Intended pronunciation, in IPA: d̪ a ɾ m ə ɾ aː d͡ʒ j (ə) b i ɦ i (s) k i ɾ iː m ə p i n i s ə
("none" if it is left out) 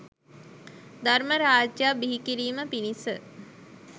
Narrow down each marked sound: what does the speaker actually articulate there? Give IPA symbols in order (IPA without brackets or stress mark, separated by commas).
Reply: a, none